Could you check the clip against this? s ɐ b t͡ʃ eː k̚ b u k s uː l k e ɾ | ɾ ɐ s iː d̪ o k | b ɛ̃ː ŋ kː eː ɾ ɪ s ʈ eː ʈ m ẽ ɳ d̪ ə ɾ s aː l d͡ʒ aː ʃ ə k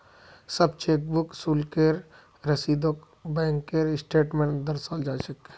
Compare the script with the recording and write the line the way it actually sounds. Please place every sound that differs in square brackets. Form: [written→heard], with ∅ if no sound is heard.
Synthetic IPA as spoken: s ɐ b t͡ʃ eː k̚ b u k s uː l k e ɾ | ɾ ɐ s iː d̪ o k | b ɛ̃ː ŋ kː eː ɾ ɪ s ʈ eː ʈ m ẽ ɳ d̪ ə ɾ s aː l d͡ʒ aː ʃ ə k